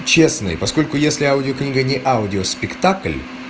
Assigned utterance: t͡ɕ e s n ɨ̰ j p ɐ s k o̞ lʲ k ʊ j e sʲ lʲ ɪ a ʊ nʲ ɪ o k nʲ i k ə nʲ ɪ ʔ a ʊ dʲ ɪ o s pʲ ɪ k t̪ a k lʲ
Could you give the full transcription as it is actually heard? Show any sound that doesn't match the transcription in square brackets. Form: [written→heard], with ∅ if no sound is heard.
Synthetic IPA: t͡ɕ e s n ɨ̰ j p ɐ s k o̞ lʲ k ʊ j e sʲ lʲ ɪ a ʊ [nʲ→dʲ] ɪ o k nʲ i [k→ɡ] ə nʲ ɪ ʔ a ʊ dʲ ɪ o s pʲ ɪ k t̪ a k lʲ